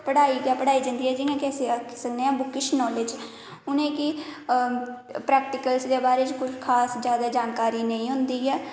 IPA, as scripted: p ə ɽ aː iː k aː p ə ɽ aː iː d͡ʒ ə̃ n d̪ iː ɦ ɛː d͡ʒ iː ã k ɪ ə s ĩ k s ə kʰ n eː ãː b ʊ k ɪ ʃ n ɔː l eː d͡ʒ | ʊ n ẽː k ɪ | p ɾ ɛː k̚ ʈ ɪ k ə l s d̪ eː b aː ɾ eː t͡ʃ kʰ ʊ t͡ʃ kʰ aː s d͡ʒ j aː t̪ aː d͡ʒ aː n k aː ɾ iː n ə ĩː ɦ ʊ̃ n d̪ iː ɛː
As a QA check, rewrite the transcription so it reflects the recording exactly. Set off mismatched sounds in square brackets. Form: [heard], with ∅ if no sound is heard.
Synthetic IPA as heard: p ə ɽ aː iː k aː p ə ɽ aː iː d͡ʒ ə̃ n d̪ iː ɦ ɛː d͡ʒ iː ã k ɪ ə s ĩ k s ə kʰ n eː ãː b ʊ k ɪ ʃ n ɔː l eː d͡ʒ | ʊ n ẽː k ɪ | p ɾ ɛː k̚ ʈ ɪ k ə l s d̪ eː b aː ɾ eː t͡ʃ [k] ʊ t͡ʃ kʰ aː s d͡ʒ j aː [d̪] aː d͡ʒ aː n k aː ɾ iː n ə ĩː ɦ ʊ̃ n d̪ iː ɛː